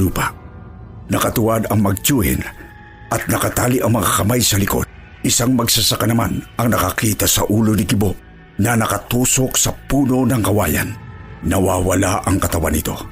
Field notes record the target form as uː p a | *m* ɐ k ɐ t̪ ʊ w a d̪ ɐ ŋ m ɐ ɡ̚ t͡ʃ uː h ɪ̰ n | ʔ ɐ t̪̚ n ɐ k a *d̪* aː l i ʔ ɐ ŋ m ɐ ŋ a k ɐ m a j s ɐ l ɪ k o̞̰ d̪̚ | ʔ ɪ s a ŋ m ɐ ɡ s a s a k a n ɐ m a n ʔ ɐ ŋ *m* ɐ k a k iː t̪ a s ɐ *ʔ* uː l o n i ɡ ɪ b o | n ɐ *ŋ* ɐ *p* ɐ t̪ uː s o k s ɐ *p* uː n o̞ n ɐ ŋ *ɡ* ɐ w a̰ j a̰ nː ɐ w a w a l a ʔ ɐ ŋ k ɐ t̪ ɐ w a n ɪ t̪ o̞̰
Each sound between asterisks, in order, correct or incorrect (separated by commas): incorrect, incorrect, incorrect, correct, incorrect, incorrect, correct, incorrect